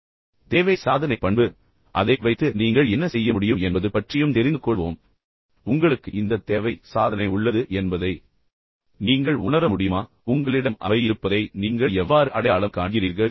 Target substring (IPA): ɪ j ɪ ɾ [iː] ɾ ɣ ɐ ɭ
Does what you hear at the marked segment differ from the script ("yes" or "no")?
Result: no